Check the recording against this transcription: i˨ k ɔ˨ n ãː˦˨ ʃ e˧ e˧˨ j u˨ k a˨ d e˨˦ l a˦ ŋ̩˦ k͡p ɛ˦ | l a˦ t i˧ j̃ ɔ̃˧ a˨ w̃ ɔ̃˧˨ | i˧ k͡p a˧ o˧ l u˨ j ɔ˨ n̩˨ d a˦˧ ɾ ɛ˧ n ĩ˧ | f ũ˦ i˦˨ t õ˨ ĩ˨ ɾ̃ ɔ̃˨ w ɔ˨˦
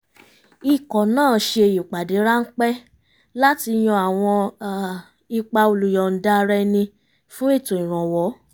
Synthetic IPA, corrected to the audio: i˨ k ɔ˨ n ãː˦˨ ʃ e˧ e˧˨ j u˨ k͡p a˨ d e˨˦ ɾ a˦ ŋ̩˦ k͡p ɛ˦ | l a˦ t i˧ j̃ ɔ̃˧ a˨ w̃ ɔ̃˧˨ | i˧ k͡p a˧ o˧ l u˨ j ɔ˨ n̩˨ d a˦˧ ɾ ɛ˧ n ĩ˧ | f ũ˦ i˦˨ t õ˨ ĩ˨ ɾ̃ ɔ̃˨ w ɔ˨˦